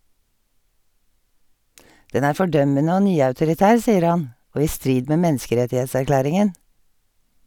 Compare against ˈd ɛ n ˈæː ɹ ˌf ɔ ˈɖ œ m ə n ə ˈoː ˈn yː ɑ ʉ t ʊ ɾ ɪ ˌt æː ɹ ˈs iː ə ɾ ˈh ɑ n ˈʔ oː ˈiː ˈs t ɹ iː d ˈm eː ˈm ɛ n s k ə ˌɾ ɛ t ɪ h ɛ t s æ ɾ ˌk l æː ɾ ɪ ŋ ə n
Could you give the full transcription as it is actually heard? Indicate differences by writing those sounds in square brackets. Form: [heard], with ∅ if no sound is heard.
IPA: ˈd ɛ n ˈæː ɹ ˌf ɔ ˈɖ œ m ə n ə ˈoː ˈn yː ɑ ʉ t ʊ ɾ ɪ ˌt æː ɹ ˈs iː ə ɾ ˈh ɑ n ˈʔ oː ˈiː ˈs t ɹ iː d ˈm eː ˈm ɛ n s k ə ˌɾ ɛ t ɪ h ɛ t s æ ɾ ˌk l æː ɾ ɪ ŋ ə n